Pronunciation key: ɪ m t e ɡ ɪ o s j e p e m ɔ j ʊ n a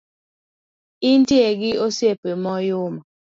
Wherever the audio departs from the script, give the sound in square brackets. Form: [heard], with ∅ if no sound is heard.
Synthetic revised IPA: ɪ [n] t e ɡ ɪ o s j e p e m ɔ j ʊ [m] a